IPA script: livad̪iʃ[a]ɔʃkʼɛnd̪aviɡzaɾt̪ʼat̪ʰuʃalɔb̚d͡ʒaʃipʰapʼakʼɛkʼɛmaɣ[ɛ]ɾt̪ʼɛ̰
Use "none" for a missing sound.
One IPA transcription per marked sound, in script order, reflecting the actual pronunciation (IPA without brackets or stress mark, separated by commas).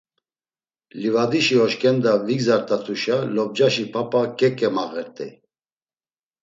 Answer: i, ɛ